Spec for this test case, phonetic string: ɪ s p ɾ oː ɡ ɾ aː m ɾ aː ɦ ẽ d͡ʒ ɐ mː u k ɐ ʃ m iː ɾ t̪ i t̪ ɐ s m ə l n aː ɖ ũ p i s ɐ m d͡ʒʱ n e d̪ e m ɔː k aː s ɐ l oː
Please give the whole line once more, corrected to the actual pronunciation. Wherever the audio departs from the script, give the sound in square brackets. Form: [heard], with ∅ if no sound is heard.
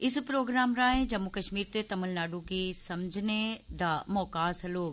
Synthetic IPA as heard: ɪ s p ɾ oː ɡ ɾ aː m ɾ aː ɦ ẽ d͡ʒ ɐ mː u k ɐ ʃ m iː ɾ t̪ [e] t̪ ɐ [∅] m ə l n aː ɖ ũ [k] i s ɐ m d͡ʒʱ n e d̪ [a] m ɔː k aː s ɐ l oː

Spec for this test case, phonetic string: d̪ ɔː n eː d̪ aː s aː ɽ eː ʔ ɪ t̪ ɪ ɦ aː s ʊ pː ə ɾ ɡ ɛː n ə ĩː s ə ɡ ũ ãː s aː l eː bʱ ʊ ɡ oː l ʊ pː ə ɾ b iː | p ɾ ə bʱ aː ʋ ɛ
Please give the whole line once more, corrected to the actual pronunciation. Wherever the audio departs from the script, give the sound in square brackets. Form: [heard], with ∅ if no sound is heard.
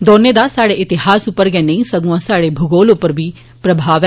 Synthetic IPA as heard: d̪ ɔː n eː d̪ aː s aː ɽ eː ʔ ɪ t̪ ɪ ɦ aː s ʊ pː ə ɾ ɡ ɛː n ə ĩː s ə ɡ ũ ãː s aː [ɽ] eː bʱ ʊ ɡ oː l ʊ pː ə ɾ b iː | p ɾ ə bʱ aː ʋ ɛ

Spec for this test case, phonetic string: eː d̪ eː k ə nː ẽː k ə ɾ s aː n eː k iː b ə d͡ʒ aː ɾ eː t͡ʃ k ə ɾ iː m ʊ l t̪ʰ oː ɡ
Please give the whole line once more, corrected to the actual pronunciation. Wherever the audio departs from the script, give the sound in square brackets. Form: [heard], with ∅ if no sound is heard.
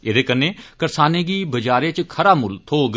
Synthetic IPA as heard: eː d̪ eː k ə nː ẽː k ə ɾ s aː n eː [ɡ] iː b ə d͡ʒ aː ɾ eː t͡ʃ [kʰ] ə ɾ [aː] m ʊ l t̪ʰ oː ɡ

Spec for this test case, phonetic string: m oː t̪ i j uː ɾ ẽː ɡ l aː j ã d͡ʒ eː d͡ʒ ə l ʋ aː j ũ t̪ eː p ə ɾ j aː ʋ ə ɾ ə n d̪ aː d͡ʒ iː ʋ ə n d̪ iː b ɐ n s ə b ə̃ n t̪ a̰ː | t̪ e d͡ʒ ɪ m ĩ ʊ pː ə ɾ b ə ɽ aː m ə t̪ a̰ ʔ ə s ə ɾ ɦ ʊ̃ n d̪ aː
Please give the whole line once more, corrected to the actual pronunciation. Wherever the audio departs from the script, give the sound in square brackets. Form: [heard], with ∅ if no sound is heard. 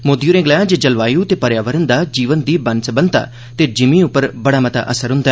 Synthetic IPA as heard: m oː [d̪] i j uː ɾ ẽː ɡ l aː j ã d͡ʒ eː d͡ʒ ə l ʋ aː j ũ t̪ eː p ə ɾ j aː ʋ ə ɾ ə n d̪ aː d͡ʒ iː ʋ ə n d̪ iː b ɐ n s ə b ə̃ n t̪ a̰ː | t̪ e d͡ʒ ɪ m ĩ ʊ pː ə ɾ b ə ɽ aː m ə t̪ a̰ ʔ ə s ə ɾ ɦ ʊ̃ n d̪ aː

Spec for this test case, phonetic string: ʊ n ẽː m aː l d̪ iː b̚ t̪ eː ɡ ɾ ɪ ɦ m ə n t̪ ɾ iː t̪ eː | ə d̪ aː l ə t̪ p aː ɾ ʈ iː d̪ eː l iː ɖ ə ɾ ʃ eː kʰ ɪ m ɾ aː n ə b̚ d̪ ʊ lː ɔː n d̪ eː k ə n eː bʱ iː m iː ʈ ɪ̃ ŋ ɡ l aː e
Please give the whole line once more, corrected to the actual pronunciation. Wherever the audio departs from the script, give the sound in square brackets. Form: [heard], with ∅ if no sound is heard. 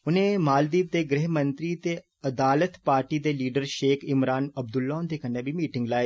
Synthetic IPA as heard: ʊ n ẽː m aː l d̪ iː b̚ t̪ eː ɡ ɾ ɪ ɦ m ə n t̪ ɾ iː t̪ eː | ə d̪ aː l ə t̪ p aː ɾ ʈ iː d̪ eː l iː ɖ ə ɾ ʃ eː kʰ ɪ m ɾ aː n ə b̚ d̪ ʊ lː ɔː n d̪ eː k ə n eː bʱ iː m iː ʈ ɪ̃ ŋ ɡ l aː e

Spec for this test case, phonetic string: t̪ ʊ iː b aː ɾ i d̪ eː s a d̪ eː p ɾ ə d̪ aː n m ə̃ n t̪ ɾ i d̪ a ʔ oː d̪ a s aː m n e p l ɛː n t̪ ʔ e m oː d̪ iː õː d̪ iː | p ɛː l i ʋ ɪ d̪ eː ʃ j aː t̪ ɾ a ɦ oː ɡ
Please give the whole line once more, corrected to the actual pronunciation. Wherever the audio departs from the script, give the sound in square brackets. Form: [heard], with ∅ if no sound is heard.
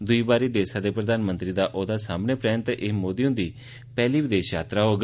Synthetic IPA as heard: [d̪] ʊ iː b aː ɾ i d̪ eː s a d̪ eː p ɾ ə d̪ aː n m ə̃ n t̪ ɾ i d̪ a ʔ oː d̪ a s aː m n e p [ɾ] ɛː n t̪ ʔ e m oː d̪ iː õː d̪ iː | p ɛː l i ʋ ɪ d̪ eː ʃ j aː t̪ ɾ a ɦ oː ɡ

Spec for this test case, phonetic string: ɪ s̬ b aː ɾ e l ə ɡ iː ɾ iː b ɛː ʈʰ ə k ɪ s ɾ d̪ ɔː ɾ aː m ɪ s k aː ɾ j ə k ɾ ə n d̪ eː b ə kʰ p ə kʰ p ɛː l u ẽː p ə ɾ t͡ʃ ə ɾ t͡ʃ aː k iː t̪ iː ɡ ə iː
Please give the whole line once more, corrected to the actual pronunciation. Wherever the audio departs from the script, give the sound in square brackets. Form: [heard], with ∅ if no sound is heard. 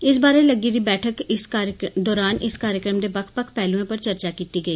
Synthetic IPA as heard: ɪ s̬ b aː ɾ e l ə ɡ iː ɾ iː b ɛː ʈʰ ə k ɪ s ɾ d̪ ɔː ɾ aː [n] ɪ s k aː ɾ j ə k ɾ ə [m] d̪ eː b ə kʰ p ə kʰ p ɛː l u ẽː p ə ɾ t͡ʃ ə ɾ t͡ʃ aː k iː t̪ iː ɡ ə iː

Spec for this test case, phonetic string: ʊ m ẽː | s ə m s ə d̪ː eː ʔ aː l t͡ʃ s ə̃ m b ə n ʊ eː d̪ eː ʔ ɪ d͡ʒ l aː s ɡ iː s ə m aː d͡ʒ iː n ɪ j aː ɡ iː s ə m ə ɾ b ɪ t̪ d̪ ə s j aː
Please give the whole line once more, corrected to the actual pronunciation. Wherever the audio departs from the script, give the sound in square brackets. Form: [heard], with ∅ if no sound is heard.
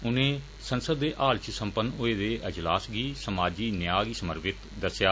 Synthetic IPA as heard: ʊ [n] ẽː | s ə [n] s ə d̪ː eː ʔ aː l t͡ʃ s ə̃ m [p] ə n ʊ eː d̪ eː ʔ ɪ d͡ʒ l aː s ɡ iː s ə m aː d͡ʒ iː n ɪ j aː ɡ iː s ə m ə ɾ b ɪ t̪ d̪ ə s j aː

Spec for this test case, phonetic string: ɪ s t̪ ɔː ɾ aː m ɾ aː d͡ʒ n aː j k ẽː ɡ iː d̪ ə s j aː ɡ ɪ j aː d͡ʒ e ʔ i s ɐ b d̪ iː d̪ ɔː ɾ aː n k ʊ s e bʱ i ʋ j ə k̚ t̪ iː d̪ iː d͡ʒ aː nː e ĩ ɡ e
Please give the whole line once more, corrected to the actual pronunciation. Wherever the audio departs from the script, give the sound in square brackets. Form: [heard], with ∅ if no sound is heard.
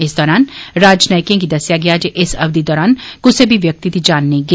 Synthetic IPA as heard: ɪ s [d̪] ɔː ɾ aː [n] ɾ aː d͡ʒ n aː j k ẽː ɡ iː d̪ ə s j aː ɡ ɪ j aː d͡ʒ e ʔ [ɪ] s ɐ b d̪ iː d̪ ɔː ɾ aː n k ʊ s e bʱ i ʋ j ə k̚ t̪ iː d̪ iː d͡ʒ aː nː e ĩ ɡ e

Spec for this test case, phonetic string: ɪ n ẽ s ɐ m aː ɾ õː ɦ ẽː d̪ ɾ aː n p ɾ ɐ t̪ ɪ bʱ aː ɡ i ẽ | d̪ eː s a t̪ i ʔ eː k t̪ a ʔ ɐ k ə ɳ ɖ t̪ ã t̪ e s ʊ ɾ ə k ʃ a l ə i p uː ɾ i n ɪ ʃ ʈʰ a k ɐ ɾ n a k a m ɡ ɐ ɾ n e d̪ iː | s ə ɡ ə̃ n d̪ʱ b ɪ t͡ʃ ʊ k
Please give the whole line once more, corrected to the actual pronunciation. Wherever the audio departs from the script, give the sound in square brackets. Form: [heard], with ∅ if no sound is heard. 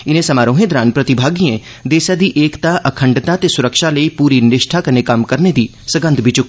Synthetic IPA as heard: ɪ n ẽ s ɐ m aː ɾ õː ɦ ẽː d̪ ɾ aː n p ɾ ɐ t̪ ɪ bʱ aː ɡ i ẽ | d̪ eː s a [d̪] i ʔ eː k t̪ a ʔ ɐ [kʰ] ə ɳ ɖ t̪ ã t̪ e s ʊ ɾ ə k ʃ a l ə i p uː ɾ i n ɪ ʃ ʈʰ a k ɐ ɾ n [e] k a m [k] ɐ ɾ n e d̪ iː | s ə ɡ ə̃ n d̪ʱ b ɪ t͡ʃ ʊ k

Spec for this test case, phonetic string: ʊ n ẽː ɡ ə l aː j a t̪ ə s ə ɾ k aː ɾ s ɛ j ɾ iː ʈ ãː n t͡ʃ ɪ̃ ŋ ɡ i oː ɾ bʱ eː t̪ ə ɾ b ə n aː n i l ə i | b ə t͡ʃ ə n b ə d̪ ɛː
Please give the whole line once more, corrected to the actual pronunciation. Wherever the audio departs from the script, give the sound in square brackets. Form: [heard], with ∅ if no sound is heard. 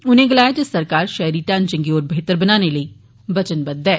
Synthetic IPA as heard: ʊ n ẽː ɡ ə l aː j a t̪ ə s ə ɾ k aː ɾ [ʃ] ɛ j ɾ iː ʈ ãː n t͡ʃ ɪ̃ ŋ ɡ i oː ɾ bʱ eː t̪ ə ɾ b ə n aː n [e] l ə i | b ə t͡ʃ ə n b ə d̪ ɛː

